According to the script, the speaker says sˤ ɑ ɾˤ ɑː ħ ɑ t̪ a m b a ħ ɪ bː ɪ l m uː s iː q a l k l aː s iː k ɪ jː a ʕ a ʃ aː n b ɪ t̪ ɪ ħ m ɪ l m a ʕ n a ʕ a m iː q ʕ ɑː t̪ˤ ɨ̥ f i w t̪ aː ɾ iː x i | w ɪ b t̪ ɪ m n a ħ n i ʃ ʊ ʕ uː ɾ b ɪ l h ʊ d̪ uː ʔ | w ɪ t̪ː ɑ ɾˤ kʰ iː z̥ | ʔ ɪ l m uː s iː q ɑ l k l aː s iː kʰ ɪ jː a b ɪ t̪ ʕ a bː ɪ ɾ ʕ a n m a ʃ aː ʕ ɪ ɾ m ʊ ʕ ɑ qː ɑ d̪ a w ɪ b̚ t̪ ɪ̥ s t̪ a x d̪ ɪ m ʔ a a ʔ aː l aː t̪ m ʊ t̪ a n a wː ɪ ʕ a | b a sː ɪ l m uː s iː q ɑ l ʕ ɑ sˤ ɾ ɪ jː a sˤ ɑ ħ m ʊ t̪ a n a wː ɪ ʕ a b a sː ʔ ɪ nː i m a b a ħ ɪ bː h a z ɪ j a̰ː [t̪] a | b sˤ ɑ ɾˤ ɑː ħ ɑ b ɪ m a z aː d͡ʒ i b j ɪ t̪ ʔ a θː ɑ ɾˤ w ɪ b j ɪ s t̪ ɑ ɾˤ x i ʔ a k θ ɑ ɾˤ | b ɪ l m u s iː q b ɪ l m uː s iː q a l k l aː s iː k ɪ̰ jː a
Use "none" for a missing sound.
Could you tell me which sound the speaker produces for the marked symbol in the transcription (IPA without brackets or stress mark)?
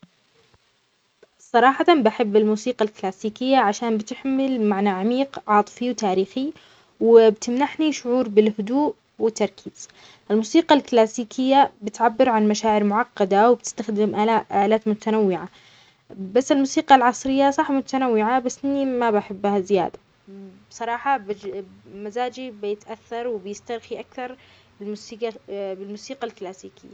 d̪